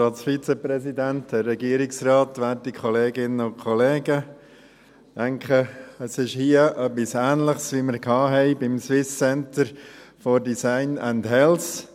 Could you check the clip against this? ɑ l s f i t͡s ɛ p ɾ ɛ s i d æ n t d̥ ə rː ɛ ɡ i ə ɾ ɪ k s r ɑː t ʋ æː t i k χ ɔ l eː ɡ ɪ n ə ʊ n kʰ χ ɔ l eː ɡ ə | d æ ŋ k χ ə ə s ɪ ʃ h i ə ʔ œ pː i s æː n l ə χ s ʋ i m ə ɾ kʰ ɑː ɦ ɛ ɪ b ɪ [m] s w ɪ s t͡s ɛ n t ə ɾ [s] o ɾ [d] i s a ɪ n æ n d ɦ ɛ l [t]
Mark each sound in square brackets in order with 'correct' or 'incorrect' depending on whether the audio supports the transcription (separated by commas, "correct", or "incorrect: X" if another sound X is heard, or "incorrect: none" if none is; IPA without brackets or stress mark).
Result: correct, incorrect: f, correct, incorrect: s